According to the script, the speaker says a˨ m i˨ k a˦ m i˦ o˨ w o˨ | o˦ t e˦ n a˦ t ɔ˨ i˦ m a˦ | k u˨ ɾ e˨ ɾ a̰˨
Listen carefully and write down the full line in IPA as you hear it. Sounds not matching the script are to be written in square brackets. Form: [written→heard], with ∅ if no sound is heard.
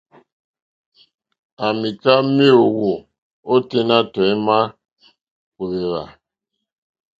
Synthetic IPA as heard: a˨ m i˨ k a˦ m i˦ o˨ w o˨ | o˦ t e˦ n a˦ t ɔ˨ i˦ m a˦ | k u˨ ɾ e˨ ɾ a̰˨